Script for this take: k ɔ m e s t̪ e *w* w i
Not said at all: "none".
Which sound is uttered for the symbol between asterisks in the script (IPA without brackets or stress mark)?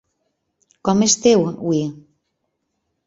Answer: w